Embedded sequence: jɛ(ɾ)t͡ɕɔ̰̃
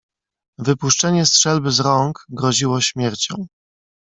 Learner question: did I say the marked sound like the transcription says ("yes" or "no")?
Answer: yes